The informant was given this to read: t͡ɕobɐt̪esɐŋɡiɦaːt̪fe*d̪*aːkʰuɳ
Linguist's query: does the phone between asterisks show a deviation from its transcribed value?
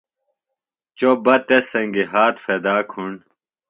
no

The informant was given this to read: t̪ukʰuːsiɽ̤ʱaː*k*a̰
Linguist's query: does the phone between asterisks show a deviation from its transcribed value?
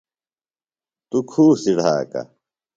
no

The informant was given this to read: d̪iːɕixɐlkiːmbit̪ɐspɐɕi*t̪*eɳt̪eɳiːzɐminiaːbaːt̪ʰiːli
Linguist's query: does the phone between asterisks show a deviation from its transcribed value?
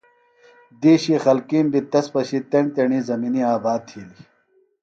no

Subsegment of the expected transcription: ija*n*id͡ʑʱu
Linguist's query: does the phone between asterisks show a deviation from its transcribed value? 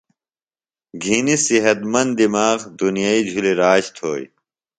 yes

